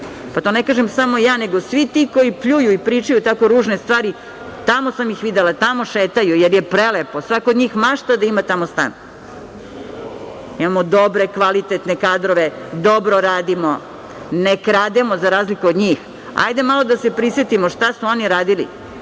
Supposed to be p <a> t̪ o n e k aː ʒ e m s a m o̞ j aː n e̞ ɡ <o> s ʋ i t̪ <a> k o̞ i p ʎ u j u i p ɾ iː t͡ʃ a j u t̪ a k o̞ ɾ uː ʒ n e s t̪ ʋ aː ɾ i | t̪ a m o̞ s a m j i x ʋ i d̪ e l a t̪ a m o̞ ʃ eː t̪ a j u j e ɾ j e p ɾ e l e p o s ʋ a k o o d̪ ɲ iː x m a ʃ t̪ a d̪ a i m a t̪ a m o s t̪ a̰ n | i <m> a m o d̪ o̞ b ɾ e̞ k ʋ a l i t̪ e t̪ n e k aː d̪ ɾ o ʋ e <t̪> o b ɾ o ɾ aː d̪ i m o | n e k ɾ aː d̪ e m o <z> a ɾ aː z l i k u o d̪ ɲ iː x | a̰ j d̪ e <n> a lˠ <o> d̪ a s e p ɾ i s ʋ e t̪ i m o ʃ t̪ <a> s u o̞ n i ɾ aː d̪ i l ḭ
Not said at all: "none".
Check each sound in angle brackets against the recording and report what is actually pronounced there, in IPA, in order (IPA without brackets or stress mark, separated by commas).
a, o, i, m, d̪, z, m, o, a